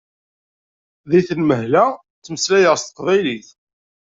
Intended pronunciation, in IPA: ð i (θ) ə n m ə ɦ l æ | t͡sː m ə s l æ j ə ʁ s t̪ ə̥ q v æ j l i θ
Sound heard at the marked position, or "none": θ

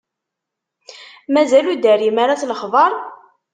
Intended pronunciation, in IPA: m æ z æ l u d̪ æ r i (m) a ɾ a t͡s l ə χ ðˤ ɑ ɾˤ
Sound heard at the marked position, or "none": m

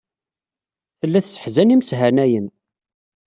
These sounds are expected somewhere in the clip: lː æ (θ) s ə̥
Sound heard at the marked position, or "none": θ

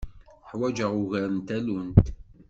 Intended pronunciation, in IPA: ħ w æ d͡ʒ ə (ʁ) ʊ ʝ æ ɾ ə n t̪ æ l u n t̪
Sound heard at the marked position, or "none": ʁ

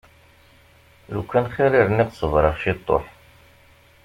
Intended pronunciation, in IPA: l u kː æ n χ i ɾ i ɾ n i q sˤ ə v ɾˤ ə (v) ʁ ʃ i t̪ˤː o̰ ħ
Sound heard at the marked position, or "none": none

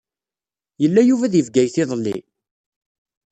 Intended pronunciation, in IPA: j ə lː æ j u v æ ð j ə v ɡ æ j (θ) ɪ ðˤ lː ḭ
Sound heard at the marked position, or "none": θ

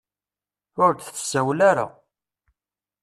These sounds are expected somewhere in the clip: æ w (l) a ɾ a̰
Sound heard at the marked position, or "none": l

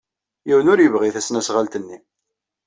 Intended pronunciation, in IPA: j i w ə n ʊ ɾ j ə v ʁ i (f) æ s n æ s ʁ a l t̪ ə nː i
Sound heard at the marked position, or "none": θ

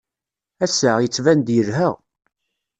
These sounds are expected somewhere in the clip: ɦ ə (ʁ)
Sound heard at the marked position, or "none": ʁ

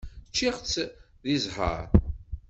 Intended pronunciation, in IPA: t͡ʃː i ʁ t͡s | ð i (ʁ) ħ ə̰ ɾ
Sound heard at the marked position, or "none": z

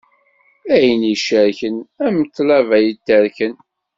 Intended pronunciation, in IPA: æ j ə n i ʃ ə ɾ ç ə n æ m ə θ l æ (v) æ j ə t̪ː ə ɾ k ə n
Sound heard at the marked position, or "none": v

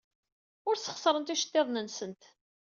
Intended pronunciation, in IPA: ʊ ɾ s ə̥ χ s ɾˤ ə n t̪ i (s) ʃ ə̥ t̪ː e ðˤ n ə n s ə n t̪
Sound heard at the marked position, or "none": none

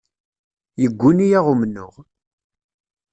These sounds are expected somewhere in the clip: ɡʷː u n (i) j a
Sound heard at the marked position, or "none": i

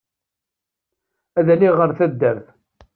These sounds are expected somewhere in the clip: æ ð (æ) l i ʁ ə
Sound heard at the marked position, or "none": æ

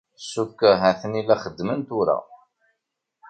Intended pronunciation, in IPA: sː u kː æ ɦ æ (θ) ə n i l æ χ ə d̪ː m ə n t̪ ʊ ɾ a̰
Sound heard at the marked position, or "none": θ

